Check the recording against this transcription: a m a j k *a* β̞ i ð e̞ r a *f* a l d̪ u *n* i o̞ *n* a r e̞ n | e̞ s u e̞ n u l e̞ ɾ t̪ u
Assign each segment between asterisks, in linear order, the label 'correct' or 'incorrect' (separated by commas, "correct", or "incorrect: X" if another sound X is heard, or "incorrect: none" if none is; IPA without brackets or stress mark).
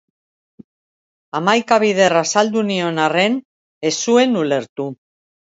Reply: correct, incorrect: s, correct, correct